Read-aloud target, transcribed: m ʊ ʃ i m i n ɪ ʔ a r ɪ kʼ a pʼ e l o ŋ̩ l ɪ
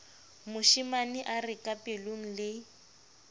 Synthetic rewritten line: m ʊ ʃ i m a n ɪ ʔ a r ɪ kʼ a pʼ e l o ŋ̩ l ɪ